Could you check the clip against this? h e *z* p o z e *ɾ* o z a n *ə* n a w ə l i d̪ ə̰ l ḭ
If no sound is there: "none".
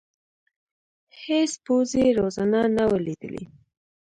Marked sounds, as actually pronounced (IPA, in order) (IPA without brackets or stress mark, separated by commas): s, ɾ, a